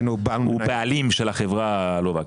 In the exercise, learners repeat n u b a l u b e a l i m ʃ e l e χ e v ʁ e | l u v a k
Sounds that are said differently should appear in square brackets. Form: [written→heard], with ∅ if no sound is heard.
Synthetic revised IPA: n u b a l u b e a l i m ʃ e l [e→a] χ e v ʁ [e→a] | l [u→o] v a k